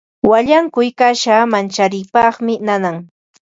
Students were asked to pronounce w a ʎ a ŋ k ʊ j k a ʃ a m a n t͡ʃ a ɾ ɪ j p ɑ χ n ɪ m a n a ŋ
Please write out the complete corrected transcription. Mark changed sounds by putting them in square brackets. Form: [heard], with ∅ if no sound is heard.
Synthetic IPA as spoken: w a ʎ a ŋ k ʊ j k a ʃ a m a n t͡ʃ a ɾ ɪ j p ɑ χ [m] ɪ [n] a n a ŋ